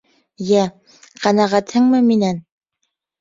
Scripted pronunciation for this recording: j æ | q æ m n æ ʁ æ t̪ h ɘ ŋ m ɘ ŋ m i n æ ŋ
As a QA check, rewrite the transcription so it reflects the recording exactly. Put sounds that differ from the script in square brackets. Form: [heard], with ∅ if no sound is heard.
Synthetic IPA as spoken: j æ | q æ [∅] n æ ʁ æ t̪ h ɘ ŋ m ɘ [∅] m i n æ [n]